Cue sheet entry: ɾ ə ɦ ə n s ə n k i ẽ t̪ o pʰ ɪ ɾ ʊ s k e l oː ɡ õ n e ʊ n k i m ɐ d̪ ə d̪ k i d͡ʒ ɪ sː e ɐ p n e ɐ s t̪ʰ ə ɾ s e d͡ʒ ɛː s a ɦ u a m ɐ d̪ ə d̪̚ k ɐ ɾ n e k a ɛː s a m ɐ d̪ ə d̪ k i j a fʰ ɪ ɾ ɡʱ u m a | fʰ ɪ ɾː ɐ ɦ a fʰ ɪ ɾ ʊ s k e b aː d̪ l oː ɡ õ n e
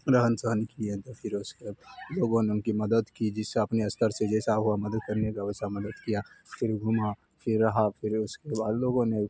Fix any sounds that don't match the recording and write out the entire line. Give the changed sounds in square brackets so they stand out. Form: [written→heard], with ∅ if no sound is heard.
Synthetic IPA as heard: ɾ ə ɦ ə n s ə n k i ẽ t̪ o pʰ ɪ ɾ ʊ s k e l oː ɡ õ n e ʊ n k i m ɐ d̪ ə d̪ k i d͡ʒ ɪ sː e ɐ p n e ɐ s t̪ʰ ə ɾ s e d͡ʒ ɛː s a ɦ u a m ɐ d̪ ə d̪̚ k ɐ ɾ n e k a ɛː s a m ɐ d̪ ə d̪ k i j a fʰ ɪ ɾ ɡʱ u m a | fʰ ɪ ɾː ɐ ɦ a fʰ ɪ ɾ ʊ s k e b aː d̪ l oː ɡ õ n e